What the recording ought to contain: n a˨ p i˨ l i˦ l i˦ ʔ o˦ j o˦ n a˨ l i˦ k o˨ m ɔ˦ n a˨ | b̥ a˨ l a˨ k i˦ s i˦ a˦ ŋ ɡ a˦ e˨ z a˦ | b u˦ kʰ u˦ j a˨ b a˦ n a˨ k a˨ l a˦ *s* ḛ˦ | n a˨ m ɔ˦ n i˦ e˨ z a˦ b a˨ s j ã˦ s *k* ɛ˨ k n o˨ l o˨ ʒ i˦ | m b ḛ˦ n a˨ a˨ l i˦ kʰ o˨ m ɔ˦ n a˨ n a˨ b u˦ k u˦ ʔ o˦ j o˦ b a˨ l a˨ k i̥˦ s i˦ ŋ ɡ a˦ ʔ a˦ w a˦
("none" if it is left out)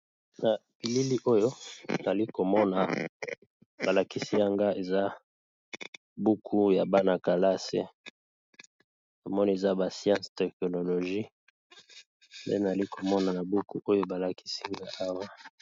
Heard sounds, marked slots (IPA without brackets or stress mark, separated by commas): s, t